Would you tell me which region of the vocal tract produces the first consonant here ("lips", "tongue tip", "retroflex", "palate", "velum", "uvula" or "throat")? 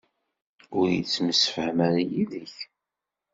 tongue tip